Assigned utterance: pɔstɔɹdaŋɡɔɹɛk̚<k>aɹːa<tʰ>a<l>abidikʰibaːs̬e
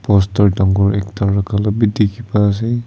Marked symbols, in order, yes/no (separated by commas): no, no, yes